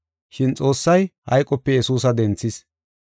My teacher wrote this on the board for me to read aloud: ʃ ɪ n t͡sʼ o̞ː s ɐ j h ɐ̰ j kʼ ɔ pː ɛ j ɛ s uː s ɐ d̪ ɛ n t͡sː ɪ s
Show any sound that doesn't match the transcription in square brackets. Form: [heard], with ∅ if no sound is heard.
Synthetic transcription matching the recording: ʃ ɪ n t͡sʼ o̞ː [sː] ɐ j h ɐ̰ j kʼ ɔ pː ɛ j ɛ s uː s ɐ d̪ ɛ n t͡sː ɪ s